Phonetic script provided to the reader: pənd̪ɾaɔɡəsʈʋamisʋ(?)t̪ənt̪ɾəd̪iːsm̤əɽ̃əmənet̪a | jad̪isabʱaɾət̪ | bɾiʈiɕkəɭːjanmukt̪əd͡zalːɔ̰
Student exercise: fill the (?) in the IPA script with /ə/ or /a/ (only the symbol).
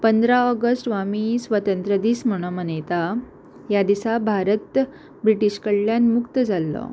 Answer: ə